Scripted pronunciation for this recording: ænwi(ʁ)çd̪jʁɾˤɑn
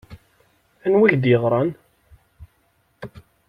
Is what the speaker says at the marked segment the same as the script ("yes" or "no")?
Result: no